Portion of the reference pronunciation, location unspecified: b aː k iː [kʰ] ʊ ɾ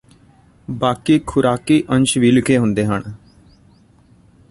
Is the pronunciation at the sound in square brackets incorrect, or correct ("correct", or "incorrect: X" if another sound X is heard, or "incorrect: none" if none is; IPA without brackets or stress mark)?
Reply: correct